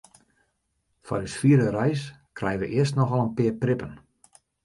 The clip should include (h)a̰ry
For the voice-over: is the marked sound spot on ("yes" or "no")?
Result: no